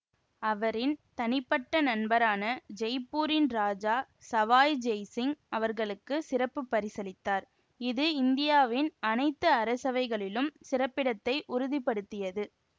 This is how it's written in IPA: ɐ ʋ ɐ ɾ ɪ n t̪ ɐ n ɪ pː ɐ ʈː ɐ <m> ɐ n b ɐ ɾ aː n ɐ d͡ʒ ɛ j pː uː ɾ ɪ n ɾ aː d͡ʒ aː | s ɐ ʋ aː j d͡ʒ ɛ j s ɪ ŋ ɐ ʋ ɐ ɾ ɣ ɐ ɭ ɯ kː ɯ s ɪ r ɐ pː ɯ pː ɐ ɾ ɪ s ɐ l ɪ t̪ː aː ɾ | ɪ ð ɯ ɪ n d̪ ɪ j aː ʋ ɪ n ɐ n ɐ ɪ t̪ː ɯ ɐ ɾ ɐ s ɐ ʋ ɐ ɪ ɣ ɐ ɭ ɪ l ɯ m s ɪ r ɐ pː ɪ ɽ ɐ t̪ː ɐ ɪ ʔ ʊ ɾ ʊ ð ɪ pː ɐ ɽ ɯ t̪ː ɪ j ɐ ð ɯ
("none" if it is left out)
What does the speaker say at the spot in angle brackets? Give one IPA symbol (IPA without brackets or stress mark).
n